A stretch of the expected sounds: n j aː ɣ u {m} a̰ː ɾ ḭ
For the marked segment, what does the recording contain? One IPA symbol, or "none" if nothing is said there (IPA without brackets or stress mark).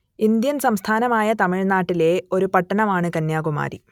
m